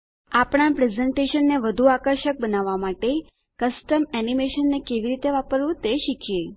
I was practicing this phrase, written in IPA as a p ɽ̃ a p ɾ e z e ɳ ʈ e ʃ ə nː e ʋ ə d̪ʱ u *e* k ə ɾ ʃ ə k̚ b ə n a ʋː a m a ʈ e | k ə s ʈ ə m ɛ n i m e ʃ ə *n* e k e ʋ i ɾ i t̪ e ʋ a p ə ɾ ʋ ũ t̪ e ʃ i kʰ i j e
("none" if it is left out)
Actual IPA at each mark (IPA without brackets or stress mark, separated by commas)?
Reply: a, nː